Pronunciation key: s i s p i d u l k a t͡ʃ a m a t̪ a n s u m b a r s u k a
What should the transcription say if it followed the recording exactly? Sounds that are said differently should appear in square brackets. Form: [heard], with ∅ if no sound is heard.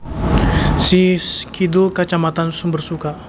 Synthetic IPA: s i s [k] i d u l k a t͡ʃ a m a t̪ a n s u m b [ə] r s u k a